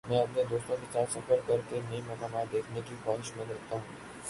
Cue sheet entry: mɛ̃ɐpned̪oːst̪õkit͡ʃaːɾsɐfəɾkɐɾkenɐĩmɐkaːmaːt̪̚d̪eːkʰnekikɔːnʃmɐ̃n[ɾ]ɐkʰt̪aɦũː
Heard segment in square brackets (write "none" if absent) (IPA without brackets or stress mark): ɾ